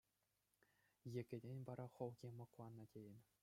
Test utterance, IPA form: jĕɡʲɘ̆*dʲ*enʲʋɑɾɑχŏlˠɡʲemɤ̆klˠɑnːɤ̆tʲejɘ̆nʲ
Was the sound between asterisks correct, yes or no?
yes